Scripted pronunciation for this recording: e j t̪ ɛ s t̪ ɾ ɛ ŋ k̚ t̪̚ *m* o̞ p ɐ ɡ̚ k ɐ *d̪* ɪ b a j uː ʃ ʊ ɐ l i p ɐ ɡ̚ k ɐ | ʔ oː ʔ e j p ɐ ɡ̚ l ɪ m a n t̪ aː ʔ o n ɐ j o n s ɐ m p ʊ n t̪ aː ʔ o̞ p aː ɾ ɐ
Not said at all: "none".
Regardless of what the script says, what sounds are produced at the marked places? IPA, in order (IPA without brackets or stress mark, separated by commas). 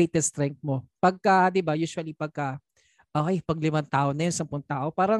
m, d̪